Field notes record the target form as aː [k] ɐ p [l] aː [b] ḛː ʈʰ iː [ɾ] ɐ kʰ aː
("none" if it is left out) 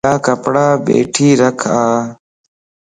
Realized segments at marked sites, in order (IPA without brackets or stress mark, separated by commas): k, ɽ, b, ɾ